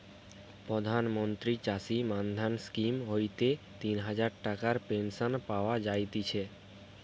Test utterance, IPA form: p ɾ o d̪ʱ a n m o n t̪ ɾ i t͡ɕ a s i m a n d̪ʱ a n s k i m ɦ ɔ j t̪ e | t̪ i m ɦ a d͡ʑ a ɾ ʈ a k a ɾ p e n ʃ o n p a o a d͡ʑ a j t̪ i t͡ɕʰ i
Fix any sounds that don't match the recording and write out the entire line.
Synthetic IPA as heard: p ɾ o d̪ʱ a n m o n t̪ ɾ i t͡ɕ a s i m a n d̪ʱ a n s k i m ɦ o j t̪ e | t̪ i n ɦ a d͡ʑ a ɾ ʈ a k a ɾ p e n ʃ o n p a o a d͡ʑ a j t̪ i t͡ɕʰ e